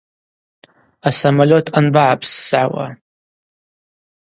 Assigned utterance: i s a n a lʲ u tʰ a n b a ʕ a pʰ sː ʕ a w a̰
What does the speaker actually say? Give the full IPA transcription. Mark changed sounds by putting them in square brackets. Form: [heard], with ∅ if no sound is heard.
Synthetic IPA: [a] s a [m] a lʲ [o] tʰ a n b a ʕ a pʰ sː ʕ a w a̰